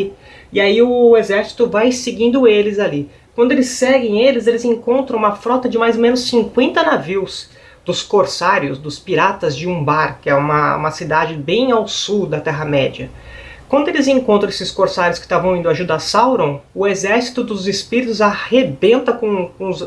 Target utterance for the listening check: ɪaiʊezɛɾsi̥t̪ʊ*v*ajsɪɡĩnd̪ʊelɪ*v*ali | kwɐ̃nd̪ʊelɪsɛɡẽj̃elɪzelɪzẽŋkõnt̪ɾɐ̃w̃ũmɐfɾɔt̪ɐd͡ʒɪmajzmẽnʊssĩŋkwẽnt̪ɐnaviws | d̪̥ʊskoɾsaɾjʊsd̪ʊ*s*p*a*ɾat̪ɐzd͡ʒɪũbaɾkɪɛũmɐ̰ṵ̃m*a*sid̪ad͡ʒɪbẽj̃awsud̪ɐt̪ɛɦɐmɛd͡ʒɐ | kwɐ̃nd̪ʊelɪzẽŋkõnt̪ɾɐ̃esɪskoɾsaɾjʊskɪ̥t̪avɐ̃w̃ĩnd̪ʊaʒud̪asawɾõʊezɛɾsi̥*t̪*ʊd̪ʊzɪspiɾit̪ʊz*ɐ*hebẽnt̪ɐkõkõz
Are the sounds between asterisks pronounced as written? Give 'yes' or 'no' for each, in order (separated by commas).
yes, no, yes, no, no, yes, no